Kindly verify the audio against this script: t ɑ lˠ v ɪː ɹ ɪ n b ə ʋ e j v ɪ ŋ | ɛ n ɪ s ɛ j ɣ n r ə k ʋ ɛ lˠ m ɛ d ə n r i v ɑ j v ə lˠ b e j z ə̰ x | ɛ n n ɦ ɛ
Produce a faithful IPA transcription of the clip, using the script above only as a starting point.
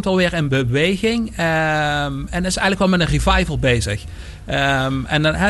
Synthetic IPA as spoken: t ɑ lˠ ʋ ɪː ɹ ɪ n b ə ʋ e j ɣ ɪ ŋ | ɛ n ɪ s ɛ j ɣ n l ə k ʋ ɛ lˠ m ɛ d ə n r i v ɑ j v ə lˠ b e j z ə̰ x | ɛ n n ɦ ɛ